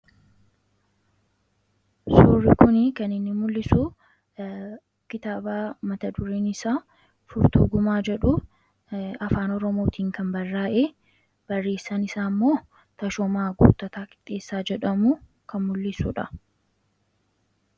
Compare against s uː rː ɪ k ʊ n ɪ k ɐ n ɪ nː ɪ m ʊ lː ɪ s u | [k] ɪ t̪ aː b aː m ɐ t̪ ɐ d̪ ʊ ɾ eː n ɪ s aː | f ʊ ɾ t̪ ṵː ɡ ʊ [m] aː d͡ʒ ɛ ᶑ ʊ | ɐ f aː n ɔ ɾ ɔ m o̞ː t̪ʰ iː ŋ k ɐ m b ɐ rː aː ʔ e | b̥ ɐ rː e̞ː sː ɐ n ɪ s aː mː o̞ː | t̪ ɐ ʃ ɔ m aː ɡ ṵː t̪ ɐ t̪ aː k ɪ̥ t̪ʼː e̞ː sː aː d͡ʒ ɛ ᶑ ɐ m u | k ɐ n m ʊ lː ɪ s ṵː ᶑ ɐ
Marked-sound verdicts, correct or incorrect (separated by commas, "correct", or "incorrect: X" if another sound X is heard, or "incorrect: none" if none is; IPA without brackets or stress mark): correct, correct